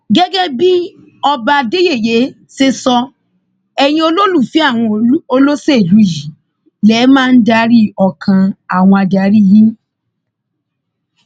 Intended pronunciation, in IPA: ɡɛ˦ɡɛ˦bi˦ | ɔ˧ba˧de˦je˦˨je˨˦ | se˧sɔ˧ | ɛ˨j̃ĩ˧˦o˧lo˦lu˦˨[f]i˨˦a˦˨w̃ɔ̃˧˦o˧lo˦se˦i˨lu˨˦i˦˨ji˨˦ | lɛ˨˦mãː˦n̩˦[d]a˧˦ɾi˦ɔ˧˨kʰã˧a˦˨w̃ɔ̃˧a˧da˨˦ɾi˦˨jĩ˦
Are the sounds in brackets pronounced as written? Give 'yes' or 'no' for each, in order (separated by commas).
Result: yes, yes